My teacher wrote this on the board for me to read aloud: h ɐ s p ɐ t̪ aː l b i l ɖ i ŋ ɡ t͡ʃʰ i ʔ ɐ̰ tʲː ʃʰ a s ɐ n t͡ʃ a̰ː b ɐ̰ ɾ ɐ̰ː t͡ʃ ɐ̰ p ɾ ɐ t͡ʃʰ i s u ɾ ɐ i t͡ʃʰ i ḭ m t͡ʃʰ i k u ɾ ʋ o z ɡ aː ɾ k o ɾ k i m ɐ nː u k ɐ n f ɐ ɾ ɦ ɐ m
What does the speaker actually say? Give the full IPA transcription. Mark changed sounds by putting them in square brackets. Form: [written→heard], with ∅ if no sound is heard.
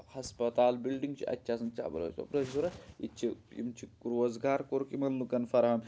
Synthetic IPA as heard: h ɐ s p ɐ t̪ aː l b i l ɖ i ŋ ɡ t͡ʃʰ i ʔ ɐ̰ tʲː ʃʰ a s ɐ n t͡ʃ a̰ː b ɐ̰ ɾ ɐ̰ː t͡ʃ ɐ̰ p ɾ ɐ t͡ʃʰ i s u ɾ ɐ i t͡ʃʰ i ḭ m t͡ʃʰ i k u ɾ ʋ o z ɡ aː ɾ k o ɾ k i m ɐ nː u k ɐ n f ɐ ɾ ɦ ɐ m